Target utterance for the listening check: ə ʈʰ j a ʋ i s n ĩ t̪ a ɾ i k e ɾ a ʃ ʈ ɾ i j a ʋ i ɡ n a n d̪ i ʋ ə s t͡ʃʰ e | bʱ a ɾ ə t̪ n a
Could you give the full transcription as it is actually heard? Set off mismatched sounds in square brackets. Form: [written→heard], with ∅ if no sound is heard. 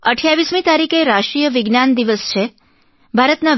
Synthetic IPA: ə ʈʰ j a ʋ i s [n→m] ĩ t̪ a ɾ i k e ɾ a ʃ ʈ ɾ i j [a→ə] ʋ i ɡ n a n d̪ i ʋ ə s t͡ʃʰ e | bʱ a ɾ ə t̪ n a